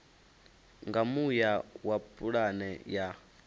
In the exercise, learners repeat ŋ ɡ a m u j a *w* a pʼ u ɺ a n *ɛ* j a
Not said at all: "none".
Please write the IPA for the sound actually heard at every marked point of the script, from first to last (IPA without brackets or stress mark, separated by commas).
w, ɛ